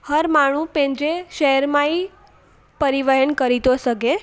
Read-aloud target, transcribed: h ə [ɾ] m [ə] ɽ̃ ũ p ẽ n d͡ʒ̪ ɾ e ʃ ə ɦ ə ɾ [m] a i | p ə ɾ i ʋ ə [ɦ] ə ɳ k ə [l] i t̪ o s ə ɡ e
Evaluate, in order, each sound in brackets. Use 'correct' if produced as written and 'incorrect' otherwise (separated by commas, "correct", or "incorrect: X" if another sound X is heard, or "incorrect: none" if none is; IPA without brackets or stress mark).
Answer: correct, incorrect: a, correct, correct, incorrect: ɾ